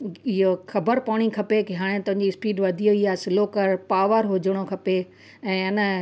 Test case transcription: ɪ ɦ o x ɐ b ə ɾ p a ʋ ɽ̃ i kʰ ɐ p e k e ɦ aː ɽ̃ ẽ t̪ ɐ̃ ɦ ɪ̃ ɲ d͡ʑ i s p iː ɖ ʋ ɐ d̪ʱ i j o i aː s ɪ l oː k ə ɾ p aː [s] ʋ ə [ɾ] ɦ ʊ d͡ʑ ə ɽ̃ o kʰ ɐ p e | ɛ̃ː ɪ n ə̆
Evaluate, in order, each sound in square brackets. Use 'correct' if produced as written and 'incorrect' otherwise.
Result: incorrect, correct

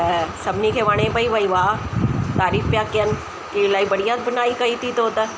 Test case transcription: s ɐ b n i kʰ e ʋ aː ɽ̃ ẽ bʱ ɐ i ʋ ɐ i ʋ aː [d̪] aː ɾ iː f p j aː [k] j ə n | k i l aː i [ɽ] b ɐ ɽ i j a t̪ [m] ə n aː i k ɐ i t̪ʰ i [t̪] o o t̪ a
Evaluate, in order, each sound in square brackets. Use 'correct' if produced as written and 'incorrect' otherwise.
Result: incorrect, correct, incorrect, incorrect, correct

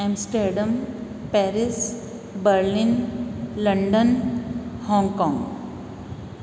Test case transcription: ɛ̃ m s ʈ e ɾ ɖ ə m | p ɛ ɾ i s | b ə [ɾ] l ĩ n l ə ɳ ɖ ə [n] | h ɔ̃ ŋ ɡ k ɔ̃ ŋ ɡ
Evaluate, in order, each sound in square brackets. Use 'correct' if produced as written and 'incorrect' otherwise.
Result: correct, correct

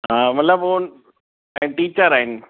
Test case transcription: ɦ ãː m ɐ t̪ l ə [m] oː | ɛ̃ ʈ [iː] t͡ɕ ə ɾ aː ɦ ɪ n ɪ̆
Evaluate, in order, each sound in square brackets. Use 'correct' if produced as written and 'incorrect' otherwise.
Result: incorrect, correct

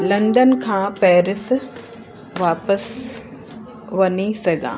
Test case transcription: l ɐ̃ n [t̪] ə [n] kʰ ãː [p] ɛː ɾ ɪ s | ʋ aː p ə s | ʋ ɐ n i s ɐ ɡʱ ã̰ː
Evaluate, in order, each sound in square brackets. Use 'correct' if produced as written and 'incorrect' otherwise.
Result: incorrect, correct, correct

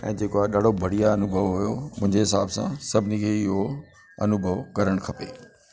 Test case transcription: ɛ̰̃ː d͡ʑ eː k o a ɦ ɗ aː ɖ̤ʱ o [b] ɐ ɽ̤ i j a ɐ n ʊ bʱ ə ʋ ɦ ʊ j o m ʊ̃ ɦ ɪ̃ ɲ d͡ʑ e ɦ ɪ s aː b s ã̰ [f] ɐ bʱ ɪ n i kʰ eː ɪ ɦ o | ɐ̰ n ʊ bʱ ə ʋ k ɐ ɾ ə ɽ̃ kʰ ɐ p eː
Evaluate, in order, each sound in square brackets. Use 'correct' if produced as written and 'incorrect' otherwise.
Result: correct, incorrect

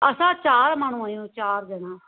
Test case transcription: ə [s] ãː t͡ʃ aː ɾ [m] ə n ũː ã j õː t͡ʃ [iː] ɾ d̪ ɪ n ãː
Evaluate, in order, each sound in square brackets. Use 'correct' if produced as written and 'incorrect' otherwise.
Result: correct, correct, incorrect

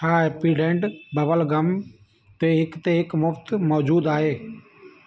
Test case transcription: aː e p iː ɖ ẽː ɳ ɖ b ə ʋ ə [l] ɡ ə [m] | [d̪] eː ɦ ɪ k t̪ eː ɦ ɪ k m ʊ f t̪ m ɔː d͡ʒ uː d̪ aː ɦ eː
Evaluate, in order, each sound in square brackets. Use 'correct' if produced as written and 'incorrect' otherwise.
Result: correct, correct, incorrect

